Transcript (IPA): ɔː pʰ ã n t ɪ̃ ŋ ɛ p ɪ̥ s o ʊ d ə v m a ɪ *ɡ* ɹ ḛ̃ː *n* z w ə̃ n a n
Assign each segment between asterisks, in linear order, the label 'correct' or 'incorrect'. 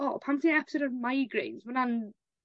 correct, correct

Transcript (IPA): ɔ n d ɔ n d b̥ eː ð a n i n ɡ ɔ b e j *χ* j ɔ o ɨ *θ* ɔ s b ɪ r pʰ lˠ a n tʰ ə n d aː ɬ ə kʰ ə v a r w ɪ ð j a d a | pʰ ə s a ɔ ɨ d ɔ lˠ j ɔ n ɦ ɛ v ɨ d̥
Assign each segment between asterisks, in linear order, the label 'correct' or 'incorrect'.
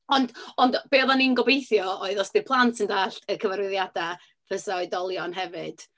incorrect, incorrect

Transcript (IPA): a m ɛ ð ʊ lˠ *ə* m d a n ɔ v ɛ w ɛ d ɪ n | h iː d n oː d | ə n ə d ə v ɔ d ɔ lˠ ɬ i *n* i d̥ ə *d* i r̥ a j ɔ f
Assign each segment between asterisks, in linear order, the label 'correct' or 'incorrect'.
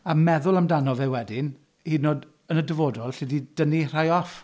incorrect, incorrect, incorrect

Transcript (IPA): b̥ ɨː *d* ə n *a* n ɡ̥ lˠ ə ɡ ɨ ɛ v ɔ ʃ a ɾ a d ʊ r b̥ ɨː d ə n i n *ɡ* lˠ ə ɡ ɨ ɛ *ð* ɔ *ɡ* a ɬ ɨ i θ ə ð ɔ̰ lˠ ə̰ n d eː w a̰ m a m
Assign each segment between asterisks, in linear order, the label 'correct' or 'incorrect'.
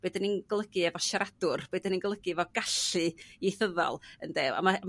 correct, incorrect, correct, incorrect, correct

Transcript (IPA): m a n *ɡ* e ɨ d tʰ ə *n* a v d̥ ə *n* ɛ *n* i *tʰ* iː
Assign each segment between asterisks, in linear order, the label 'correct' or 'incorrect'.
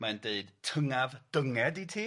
incorrect, incorrect, incorrect, incorrect, correct

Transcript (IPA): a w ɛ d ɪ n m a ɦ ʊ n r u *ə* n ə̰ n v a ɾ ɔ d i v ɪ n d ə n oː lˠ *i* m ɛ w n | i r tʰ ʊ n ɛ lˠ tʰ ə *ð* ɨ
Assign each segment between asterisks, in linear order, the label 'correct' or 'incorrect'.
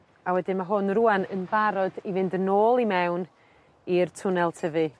incorrect, correct, incorrect

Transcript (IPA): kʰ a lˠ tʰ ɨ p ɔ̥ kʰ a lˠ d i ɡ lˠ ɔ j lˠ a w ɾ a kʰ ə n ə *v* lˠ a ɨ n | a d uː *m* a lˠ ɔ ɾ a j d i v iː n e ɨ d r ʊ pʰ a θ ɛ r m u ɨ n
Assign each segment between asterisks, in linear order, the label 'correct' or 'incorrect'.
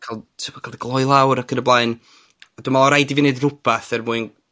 incorrect, correct

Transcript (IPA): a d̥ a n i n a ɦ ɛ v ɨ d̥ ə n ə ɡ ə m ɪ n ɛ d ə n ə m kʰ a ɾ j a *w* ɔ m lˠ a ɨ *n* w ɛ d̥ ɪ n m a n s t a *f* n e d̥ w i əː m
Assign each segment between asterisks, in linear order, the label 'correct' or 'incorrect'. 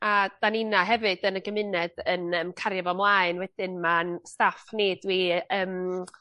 incorrect, correct, correct

